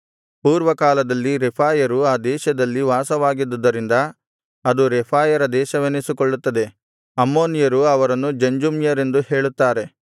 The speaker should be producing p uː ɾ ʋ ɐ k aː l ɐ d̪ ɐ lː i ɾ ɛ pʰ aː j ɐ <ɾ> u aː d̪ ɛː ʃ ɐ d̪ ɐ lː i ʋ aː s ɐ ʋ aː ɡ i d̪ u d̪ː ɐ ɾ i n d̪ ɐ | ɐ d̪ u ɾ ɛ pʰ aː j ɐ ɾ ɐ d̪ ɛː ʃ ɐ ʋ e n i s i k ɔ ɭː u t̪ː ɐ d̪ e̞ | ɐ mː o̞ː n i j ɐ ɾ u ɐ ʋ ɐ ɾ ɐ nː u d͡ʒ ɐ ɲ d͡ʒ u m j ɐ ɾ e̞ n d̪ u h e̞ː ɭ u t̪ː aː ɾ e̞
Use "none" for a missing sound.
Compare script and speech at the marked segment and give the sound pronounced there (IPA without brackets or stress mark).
ɾ